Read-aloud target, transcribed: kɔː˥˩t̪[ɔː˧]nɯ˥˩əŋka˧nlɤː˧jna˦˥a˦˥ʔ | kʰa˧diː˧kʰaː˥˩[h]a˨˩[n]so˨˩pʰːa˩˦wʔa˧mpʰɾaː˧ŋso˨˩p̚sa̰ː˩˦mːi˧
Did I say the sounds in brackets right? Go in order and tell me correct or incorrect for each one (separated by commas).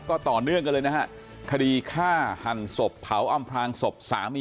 incorrect, correct, correct